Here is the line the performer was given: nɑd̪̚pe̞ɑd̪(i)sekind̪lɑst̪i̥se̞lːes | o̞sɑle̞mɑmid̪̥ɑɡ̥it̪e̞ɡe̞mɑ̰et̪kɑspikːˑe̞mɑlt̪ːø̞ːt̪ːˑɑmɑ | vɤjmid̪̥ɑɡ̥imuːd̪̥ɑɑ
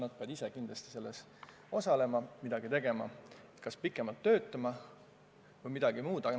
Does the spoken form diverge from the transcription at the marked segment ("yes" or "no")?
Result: no